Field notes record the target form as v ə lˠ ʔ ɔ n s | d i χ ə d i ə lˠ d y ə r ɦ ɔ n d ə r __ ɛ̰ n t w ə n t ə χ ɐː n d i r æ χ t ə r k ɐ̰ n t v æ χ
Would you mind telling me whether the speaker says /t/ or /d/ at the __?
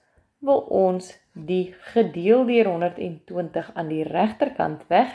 t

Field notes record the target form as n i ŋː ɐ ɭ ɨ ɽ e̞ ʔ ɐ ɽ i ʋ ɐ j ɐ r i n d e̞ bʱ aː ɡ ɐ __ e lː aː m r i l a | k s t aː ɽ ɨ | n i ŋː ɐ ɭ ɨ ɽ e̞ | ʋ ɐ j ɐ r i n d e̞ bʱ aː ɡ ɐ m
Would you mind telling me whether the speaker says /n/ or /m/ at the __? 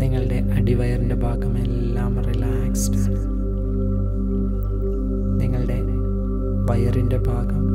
m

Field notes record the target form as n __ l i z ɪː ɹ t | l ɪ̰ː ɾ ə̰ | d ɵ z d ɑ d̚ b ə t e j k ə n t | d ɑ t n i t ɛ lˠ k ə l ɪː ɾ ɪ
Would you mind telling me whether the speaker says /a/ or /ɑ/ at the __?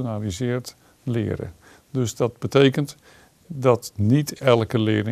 a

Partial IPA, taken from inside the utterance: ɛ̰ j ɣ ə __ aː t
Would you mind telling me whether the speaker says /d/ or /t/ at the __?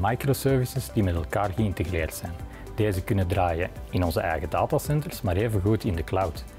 d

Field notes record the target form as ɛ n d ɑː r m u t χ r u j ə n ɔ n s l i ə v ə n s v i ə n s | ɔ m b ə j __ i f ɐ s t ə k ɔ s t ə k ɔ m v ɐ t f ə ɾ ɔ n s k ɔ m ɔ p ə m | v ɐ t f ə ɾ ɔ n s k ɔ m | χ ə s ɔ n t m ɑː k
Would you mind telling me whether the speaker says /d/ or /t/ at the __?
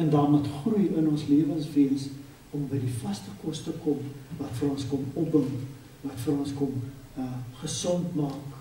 d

